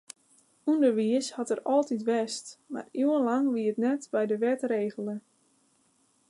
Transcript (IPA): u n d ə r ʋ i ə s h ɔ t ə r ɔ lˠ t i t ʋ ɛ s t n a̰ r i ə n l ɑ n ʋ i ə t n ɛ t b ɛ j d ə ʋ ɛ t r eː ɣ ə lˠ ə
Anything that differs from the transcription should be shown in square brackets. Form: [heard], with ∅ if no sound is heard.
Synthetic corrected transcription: u n d ə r ʋ i ə s h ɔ t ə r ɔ lˠ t i t ʋ ɛ s t [m] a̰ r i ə n l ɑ [ŋ] ʋ i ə t n ɛ t b ɛ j d ə ʋ ɛ t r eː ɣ ə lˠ ə